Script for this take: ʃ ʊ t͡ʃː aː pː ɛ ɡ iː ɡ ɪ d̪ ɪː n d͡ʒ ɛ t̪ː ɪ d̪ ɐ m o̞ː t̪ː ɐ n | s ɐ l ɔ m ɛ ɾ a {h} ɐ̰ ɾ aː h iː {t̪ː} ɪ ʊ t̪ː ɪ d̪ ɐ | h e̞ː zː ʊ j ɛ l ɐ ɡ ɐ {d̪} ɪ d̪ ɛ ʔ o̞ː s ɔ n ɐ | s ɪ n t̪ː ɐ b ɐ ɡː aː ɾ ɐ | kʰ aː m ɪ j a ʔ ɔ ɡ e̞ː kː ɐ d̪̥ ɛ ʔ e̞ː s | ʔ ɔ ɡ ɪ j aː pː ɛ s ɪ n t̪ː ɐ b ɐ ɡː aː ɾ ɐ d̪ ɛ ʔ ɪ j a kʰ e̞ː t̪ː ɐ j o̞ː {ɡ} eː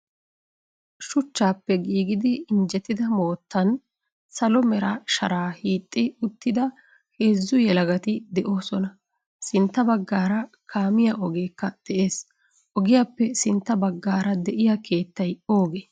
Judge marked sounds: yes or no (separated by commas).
no, no, no, yes